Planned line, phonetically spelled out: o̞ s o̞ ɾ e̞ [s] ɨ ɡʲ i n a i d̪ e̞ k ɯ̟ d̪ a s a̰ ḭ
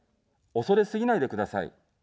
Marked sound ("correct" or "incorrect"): correct